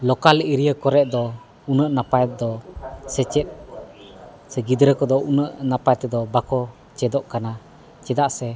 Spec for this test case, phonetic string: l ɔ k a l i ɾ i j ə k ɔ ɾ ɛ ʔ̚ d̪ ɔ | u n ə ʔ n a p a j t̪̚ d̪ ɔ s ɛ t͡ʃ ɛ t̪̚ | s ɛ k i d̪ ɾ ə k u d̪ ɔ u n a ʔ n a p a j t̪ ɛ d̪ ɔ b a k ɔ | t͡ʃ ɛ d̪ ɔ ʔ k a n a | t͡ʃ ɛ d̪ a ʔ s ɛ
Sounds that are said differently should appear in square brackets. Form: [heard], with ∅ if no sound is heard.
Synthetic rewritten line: l ɔ k a l i ɾ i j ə k ɔ ɾ ɛ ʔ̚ d̪ ɔ | u n ə ʔ n a p a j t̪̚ d̪ ɔ s ɛ t͡ʃ ɛ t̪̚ | s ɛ [ɡ] i d̪ ɾ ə k [ɔ] d̪ ɔ u n [ə] ʔ n a p a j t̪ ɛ d̪ ɔ b a k ɔ | t͡ʃ ɛ d̪ ɔ ʔ k a n a | t͡ʃ ɛ d̪ a ʔ s ɛ